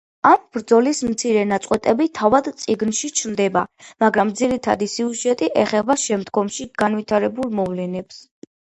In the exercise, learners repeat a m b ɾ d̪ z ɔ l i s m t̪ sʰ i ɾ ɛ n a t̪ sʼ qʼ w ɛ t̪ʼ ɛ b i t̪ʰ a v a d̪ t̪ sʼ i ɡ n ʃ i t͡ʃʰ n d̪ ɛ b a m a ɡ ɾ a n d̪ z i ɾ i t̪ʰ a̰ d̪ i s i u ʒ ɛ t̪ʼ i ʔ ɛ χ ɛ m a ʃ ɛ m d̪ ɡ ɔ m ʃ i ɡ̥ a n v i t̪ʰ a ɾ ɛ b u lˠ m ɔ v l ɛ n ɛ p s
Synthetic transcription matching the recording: a m b ɾ d̪ z ɔ l i s m t̪ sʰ i ɾ ɛ n a t̪ sʼ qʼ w ɛ t̪ʼ ɛ b i t̪ʰ a v a d̪ t̪ sʼ i ɡ n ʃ i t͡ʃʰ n d̪ ɛ b a m a ɡ ɾ a m d̪ z i ɾ i t̪ʰ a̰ d̪ i s i u ʒ ɛ t̪ʼ i ʔ ɛ χ ɛ b a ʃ ɛ m d̪ ɡ ɔ m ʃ i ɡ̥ a n v i t̪ʰ a ɾ ɛ b u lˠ m ɔ v l ɛ n ɛ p s